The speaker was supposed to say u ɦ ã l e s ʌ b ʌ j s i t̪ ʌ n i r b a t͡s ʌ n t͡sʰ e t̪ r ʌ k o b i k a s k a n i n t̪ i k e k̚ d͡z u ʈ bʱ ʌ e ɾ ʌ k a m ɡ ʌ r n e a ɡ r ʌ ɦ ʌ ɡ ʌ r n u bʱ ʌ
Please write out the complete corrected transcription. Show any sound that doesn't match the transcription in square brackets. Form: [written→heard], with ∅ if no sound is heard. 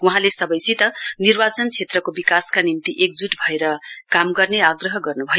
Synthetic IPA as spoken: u ɦ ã l e s ʌ b ʌ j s i t̪ ʌ n i r b a t͡s ʌ n t͡sʰ e t̪ r ʌ k o b i k a s k a n i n t̪ i [k→ʔ] e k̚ d͡z u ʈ bʱ ʌ e ɾ ʌ k a m ɡ ʌ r n e a ɡ r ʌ ɦ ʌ ɡ ʌ r n u bʱ ʌ